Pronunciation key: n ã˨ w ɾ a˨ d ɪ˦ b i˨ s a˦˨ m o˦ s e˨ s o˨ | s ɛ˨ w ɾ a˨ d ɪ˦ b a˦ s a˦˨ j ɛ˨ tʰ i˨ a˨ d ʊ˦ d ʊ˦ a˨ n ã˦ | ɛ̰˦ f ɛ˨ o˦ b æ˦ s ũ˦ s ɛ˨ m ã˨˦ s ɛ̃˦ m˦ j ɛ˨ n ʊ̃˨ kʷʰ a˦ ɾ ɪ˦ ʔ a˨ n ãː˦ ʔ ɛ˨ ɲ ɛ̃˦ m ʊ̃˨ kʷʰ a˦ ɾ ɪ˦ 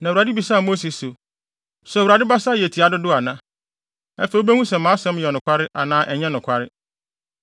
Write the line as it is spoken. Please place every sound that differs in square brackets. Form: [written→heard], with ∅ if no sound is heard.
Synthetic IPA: n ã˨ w ɾ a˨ d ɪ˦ b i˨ s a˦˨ m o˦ s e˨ s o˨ | s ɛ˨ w ɾ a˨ d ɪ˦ b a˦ s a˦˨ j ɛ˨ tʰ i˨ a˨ d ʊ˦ d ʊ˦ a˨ n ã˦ | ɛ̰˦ f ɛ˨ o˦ b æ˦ [s→h] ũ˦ s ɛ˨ m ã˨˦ s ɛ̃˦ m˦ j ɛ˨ n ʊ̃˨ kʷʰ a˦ ɾ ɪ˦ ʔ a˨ n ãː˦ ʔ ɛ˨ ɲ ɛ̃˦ [m→n] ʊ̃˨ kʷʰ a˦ ɾ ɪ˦